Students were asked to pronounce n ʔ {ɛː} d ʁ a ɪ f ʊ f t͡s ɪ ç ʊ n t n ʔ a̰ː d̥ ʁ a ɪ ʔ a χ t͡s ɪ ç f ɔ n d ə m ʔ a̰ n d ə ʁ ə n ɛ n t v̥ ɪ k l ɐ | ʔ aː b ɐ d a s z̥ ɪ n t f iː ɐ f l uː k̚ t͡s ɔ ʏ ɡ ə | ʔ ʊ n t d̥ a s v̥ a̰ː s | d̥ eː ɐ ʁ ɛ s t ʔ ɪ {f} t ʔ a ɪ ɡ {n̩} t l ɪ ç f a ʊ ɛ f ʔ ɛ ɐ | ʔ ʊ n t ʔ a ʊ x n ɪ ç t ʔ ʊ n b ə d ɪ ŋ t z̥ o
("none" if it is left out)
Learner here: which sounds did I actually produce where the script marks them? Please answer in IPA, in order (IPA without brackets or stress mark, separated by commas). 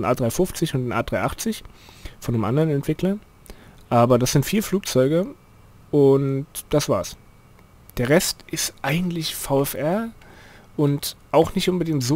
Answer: aː, s, ŋ̩